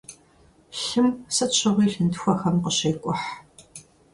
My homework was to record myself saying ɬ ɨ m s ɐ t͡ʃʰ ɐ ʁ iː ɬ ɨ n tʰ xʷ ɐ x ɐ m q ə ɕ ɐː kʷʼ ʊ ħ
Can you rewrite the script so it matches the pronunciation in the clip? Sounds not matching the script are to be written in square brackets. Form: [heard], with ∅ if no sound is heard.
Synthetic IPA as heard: ɬ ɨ m s ɐ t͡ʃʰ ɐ ʁ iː ɬ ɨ n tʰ xʷ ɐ x ɐ m q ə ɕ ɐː kʷʼ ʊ ħ